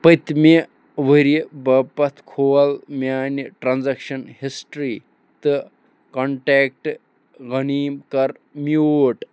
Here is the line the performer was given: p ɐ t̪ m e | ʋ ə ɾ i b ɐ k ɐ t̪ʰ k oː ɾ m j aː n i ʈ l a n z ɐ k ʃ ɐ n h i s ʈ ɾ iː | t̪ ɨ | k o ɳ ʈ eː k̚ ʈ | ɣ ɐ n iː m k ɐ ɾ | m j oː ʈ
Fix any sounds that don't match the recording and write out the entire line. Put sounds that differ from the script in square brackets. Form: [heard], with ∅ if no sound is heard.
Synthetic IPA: p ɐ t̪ m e | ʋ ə ɾ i b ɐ [p] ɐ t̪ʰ [kʰ] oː [l] m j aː n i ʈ [ɾ] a n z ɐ k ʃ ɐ n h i s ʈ ɾ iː | t̪ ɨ | k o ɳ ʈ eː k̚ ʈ | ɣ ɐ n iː m k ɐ ɾ | m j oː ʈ